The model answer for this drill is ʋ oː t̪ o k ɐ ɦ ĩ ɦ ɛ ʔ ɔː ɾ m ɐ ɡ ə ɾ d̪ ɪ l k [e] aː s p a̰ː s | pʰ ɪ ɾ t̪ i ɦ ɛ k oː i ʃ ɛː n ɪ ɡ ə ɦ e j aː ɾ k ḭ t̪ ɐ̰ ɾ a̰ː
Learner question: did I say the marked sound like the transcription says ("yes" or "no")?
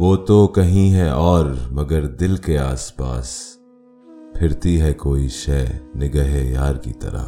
yes